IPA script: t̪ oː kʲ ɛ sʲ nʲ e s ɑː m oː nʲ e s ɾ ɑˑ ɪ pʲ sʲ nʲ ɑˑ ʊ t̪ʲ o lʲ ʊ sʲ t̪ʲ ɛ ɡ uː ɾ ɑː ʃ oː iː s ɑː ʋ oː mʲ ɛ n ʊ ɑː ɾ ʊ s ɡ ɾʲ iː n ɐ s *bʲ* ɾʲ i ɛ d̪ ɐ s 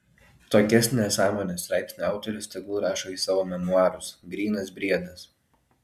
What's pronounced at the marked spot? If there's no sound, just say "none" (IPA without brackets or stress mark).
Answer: bʲ